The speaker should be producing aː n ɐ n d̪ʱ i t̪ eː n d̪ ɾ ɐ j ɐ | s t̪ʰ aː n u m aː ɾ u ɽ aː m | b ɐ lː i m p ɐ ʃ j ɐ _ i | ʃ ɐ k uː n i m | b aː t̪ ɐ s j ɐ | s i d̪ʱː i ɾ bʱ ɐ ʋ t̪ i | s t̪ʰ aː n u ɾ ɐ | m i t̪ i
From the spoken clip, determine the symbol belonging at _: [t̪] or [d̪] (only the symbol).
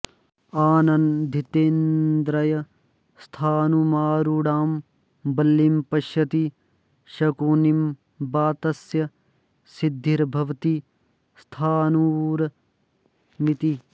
t̪